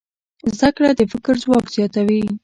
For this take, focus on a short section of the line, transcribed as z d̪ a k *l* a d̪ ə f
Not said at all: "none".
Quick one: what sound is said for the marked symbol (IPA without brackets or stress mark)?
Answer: ɽ